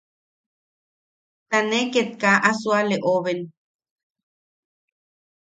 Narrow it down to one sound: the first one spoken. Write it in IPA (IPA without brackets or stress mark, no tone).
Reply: t̪